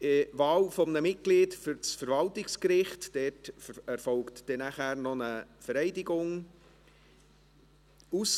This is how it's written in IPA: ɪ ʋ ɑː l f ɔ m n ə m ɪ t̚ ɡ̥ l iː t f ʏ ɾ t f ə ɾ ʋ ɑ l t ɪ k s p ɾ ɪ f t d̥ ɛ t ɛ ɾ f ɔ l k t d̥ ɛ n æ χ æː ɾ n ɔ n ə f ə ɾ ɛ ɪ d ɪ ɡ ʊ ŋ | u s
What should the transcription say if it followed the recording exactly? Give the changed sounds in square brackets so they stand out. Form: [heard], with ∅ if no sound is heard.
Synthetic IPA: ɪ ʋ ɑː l f ɔ m n ə m ɪ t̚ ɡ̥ l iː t f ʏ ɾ [t͡s] f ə ɾ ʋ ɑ l t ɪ k s [k] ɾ ɪ [χ] t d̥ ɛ t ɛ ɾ f ɔ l k t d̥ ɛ n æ χ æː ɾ n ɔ n ə f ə ɾ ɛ ɪ d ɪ ɡ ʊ ŋ | u s